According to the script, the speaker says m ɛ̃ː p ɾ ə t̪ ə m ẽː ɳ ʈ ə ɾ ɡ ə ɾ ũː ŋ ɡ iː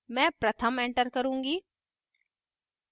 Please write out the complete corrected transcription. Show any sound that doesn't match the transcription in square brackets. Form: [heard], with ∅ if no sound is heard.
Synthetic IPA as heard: m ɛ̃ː p ɾ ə [t̪ʰ] ə m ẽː ɳ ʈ ə ɾ [k] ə ɾ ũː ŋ ɡ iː